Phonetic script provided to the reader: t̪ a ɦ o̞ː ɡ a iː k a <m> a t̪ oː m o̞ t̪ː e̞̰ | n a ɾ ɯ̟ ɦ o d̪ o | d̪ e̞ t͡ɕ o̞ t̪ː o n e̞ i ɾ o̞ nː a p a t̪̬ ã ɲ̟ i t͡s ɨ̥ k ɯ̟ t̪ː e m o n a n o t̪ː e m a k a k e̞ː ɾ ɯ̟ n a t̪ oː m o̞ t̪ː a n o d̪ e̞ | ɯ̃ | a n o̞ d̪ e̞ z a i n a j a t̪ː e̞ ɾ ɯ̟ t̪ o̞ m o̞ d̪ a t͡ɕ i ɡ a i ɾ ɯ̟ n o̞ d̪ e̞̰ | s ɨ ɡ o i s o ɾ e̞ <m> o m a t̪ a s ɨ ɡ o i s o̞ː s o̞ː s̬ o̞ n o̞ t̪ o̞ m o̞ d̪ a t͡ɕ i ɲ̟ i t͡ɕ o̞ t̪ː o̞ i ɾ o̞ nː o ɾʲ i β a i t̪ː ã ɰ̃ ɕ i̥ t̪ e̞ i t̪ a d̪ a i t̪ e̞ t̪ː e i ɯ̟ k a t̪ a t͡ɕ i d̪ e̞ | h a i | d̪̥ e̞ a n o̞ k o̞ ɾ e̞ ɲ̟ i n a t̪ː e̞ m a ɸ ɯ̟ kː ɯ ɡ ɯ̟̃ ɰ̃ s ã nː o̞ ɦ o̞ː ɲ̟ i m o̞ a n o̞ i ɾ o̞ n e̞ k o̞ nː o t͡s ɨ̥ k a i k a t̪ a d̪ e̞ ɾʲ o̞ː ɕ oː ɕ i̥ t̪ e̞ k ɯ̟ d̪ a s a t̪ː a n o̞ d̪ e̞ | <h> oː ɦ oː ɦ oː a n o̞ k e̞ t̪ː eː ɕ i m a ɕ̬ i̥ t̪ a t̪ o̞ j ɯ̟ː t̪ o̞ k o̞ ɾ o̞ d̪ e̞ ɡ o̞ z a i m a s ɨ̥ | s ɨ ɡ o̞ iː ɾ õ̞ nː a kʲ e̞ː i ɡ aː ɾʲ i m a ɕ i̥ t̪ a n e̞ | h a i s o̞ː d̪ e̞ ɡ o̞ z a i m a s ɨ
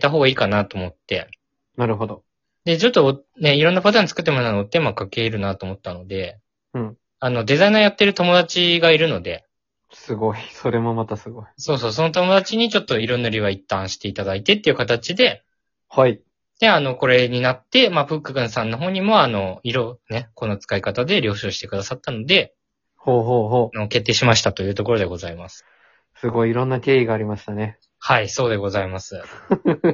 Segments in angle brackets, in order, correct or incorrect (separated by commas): incorrect, correct, correct